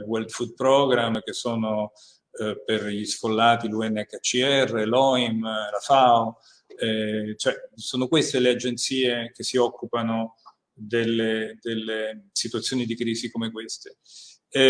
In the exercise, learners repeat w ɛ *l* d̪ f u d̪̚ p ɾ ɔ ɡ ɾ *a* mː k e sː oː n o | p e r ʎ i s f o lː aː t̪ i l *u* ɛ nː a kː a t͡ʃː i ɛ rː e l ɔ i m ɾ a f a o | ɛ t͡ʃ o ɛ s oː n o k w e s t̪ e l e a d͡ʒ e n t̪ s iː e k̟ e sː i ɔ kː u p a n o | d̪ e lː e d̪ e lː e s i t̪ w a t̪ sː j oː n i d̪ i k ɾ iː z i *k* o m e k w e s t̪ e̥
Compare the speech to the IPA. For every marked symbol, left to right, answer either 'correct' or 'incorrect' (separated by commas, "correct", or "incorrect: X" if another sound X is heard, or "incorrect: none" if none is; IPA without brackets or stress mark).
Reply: correct, correct, correct, correct